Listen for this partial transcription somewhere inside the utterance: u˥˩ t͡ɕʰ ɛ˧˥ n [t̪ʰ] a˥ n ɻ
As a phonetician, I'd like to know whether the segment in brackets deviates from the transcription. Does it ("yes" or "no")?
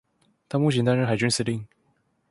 yes